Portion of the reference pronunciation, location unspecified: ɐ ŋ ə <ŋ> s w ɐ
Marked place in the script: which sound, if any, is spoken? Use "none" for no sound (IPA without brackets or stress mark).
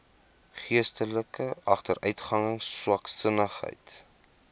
ŋ